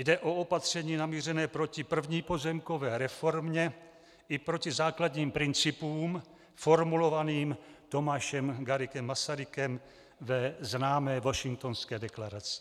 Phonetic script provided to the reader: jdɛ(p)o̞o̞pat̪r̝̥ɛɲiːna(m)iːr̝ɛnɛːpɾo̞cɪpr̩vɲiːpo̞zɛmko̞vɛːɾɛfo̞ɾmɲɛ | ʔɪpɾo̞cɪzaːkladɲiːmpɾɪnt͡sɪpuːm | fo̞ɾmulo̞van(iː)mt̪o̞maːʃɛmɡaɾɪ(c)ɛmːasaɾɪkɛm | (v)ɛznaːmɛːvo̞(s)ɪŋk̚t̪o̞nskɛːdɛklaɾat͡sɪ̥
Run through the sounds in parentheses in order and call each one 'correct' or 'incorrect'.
incorrect, correct, correct, incorrect, correct, incorrect

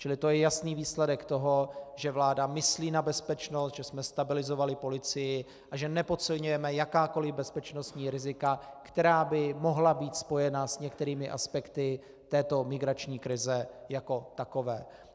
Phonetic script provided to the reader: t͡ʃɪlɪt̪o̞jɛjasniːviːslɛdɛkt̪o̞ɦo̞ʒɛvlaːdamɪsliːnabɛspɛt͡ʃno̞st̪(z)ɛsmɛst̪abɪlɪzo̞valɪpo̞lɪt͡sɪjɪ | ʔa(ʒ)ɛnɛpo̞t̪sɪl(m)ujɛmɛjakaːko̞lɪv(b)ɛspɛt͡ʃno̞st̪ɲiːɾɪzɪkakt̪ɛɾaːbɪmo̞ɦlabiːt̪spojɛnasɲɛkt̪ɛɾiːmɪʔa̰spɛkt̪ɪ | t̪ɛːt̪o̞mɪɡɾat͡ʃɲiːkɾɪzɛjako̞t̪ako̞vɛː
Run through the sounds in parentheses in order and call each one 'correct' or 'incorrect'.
incorrect, correct, incorrect, correct

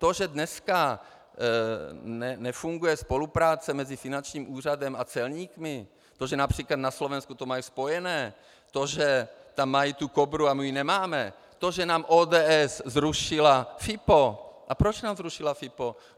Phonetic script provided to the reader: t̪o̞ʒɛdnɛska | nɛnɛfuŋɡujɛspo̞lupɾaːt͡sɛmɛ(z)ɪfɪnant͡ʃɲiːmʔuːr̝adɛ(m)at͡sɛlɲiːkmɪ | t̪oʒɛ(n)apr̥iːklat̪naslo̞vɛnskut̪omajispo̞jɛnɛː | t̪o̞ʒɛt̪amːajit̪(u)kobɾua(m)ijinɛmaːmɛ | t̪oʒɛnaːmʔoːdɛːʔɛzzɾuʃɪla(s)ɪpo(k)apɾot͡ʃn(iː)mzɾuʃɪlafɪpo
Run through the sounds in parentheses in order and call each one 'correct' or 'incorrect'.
correct, correct, correct, correct, correct, incorrect, incorrect, incorrect

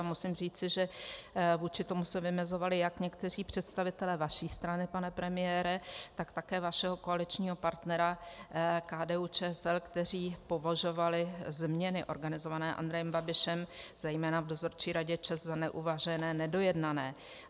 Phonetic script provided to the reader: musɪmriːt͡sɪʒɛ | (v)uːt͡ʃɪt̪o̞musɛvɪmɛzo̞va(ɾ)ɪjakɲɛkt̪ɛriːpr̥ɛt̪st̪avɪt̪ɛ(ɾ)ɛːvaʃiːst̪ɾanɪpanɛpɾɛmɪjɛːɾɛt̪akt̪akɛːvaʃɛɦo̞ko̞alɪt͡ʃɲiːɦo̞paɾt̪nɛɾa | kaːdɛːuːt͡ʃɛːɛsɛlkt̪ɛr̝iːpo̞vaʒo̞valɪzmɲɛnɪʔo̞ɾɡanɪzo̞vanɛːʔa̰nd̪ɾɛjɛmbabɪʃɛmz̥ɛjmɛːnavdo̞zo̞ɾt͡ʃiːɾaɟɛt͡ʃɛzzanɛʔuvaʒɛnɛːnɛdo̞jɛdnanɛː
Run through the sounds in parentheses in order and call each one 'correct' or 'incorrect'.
correct, incorrect, incorrect

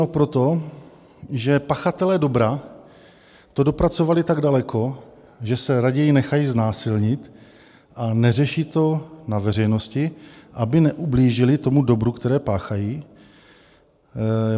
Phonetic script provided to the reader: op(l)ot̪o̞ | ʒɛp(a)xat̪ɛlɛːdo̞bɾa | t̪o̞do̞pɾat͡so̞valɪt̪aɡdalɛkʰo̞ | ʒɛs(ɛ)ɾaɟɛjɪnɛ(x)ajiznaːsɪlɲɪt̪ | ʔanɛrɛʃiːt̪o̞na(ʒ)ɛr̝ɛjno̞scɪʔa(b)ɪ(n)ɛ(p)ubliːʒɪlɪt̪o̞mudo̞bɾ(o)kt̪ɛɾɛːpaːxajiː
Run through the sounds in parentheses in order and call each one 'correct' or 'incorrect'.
incorrect, correct, correct, correct, incorrect, correct, correct, incorrect, incorrect

